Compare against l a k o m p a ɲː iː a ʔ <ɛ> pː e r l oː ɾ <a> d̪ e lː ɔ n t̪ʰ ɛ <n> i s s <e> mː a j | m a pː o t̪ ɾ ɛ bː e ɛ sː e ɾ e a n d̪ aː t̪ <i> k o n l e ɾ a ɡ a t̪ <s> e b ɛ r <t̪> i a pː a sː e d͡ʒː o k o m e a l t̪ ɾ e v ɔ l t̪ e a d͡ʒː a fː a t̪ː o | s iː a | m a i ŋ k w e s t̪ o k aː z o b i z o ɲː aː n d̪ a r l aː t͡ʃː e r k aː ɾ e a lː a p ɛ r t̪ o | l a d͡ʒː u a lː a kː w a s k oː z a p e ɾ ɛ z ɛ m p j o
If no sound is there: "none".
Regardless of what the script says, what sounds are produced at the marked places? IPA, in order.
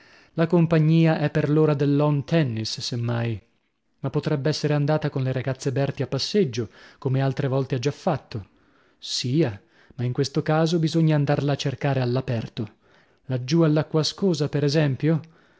ɛ, a, nː, e, a, sː, t̪

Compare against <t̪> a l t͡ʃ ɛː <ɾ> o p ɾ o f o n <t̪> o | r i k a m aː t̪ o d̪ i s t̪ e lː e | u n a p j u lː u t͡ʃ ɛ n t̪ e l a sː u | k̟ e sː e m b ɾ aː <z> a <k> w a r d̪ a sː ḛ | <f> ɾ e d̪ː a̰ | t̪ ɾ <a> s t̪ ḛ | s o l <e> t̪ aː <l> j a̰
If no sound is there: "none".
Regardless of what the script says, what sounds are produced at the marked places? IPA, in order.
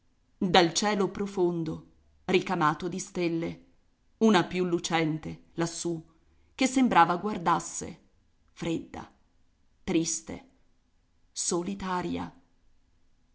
d̪, l, d̪, v, ɡ, f, i, i, ɾ

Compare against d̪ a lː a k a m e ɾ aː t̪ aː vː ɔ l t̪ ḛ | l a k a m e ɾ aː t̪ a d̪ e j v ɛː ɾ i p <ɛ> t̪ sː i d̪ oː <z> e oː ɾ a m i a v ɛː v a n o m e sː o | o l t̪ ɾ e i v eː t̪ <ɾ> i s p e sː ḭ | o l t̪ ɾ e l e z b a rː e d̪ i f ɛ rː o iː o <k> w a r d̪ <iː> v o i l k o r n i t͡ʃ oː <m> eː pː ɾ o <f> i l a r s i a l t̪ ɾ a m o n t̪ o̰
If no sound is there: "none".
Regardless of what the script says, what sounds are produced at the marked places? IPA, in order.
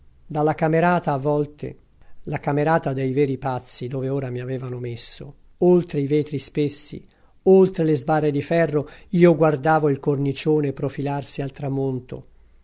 a, v, ɾ, ɡ, aː, n, f

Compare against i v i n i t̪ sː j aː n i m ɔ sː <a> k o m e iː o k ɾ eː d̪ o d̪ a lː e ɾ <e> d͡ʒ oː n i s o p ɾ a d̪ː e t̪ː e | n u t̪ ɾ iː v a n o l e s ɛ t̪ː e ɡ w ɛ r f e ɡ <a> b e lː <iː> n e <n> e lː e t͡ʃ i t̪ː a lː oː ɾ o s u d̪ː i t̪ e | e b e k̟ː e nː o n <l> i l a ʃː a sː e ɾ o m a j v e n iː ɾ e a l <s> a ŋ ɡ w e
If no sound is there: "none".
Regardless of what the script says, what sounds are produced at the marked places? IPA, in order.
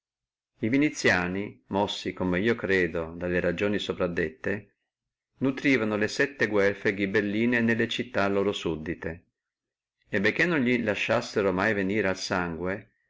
i, a, i, iː, n, ʎ, s

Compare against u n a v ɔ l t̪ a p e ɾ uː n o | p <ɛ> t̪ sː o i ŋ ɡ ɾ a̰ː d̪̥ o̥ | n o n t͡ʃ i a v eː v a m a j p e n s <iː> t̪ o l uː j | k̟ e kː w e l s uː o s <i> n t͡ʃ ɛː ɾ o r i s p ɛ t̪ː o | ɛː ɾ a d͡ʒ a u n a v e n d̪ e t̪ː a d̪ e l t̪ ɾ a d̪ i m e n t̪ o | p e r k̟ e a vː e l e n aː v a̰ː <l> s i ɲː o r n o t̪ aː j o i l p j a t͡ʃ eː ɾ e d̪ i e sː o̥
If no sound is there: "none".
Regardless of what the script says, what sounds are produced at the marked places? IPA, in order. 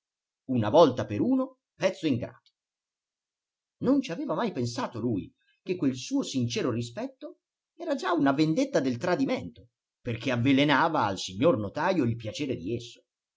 ɛ, aː, i, l

